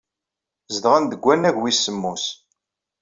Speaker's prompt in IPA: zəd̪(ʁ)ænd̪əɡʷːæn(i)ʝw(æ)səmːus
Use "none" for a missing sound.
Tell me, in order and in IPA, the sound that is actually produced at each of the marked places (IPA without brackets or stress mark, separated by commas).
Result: ʁ, æ, i